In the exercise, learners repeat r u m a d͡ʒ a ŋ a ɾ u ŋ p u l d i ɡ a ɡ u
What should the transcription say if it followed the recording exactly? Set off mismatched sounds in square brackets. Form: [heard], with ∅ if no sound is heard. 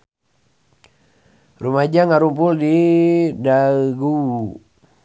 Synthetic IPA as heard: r u m a d͡ʒ a ŋ a ɾ u [m] p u l d i [d] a ɡ u